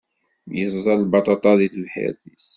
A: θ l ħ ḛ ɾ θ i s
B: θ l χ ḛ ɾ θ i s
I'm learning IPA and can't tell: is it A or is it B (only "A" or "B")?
A